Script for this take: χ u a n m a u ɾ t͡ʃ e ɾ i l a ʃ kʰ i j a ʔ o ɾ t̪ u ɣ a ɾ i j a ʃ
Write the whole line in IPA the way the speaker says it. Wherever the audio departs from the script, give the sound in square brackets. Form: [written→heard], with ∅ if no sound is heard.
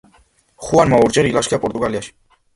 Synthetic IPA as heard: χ u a n m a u ɾ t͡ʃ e ɾ i l a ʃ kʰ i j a [ʔ→p] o ɾ t̪ u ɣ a [ɾ→l] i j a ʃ